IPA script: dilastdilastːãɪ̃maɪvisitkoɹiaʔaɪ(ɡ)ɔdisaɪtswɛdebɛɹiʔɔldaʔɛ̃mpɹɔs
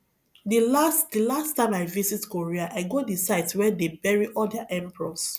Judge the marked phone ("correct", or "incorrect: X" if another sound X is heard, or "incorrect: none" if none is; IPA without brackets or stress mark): correct